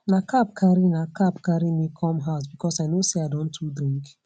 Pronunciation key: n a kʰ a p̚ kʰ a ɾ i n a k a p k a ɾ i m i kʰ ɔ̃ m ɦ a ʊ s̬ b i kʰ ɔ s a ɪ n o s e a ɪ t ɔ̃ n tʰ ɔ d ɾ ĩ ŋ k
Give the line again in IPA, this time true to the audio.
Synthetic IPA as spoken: n a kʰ a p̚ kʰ a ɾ i n a k a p k a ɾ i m i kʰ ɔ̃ m ɦ a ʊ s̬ b i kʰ ɔ s a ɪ n o s e a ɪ d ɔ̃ n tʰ u d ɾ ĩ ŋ k